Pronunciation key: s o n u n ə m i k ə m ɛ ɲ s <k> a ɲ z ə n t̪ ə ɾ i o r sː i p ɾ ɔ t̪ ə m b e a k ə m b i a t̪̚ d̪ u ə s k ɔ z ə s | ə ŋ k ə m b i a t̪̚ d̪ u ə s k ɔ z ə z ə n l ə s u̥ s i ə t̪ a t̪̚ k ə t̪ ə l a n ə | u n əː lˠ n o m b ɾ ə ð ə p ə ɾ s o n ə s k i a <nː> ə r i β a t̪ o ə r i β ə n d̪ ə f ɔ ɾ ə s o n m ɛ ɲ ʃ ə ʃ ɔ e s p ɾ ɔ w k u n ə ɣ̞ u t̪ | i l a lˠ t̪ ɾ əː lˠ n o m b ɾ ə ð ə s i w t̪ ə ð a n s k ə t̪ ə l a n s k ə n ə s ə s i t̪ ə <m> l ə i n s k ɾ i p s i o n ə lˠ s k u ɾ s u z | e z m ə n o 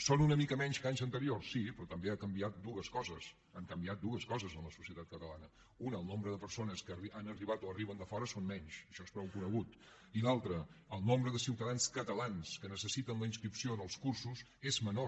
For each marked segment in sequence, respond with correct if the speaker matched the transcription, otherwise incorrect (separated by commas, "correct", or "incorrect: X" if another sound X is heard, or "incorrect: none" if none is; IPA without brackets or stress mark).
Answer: correct, incorrect: n, incorrect: n